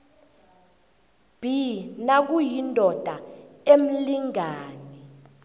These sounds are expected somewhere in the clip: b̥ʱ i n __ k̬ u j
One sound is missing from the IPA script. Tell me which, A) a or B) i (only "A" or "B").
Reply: A